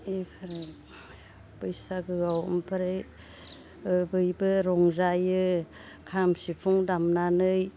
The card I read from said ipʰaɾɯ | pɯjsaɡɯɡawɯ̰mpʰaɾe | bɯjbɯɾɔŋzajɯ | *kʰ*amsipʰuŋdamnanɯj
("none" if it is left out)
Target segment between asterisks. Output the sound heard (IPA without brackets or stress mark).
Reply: kʰ